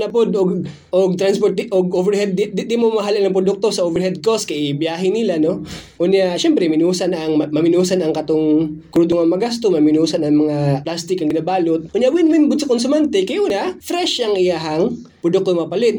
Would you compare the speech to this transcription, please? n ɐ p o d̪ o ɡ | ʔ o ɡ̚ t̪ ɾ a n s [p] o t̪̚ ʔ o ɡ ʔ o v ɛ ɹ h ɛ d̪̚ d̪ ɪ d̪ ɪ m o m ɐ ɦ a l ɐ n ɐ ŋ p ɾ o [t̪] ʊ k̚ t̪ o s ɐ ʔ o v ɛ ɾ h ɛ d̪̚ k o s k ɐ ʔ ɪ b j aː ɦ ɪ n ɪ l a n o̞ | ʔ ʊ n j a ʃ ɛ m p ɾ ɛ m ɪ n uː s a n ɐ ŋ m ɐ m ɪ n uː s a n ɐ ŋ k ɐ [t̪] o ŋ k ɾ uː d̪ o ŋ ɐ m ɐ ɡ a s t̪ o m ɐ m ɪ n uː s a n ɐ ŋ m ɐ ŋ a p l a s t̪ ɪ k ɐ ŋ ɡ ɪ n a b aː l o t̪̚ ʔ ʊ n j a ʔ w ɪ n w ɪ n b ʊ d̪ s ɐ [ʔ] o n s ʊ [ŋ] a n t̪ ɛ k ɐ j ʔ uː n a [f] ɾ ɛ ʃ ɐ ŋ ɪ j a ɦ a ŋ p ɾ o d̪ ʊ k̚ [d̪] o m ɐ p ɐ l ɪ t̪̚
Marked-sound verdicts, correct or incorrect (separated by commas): correct, incorrect, correct, incorrect, incorrect, correct, incorrect